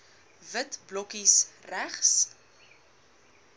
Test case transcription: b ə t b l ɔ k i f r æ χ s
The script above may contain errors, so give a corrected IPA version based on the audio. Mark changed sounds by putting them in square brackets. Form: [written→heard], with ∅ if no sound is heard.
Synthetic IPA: [b→v] ə t b l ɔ k i [f→s] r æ χ s